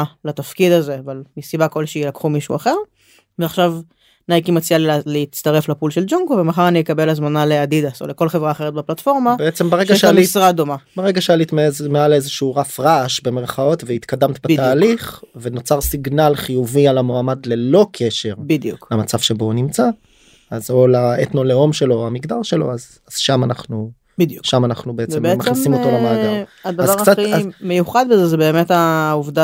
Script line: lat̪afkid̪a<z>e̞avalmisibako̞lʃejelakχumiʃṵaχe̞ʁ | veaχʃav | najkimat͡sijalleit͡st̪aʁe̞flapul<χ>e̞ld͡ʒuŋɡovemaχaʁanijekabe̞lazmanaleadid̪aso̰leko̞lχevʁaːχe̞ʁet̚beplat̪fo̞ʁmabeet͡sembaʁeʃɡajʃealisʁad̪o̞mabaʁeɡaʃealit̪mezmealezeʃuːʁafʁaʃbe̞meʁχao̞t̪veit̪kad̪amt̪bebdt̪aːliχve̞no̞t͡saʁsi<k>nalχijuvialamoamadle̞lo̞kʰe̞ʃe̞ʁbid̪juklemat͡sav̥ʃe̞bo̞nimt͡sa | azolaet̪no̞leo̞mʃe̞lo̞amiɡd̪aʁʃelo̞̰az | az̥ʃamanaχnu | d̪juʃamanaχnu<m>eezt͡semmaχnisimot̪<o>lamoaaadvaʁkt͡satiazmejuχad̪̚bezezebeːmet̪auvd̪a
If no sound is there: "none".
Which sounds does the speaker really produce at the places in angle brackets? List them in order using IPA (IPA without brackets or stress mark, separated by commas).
z, ʃ, ɡ, b, o